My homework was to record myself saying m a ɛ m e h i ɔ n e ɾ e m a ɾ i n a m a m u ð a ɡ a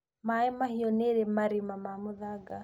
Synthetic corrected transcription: m a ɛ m a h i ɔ n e ɾ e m a ɾ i m a m a m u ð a ɡ a